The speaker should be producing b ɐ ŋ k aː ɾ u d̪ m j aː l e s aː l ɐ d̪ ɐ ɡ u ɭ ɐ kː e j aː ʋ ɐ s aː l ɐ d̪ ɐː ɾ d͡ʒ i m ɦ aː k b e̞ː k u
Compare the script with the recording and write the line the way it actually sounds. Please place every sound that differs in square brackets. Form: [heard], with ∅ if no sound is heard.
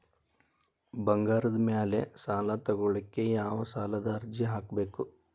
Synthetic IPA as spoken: b ɐ ŋ [ɡ] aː ɾ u d̪ m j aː l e s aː l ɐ [t̪] ɐ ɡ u ɭ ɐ kː e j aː ʋ ɐ s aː l ɐ d̪ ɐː ɾ d͡ʒ i [∅] ɦ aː k b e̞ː k u